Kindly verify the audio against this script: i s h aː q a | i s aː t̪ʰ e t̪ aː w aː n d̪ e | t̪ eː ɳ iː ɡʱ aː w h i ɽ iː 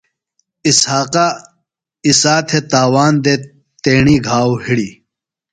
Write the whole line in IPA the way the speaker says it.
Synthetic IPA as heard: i s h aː q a | i s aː t̪ʰ e t̪ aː w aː n d̪ e | t̪ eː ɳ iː ɡʱ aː w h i ɽ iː